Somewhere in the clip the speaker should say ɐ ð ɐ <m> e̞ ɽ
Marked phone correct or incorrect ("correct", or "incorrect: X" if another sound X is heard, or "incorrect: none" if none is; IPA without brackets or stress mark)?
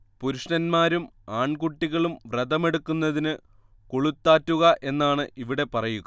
correct